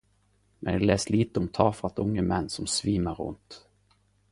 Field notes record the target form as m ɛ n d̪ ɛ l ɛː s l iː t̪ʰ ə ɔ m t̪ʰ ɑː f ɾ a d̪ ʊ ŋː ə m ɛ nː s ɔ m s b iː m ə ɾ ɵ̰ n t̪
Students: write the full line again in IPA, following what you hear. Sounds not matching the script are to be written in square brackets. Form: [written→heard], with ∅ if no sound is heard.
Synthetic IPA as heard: m ɛ n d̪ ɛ l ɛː s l iː [t̪ʰ→t̪] ə ɔ m t̪ʰ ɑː f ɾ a [d̪→t̪] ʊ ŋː ə m ɛ nː s ɔ m s [b→v] iː m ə ɾ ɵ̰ n t̪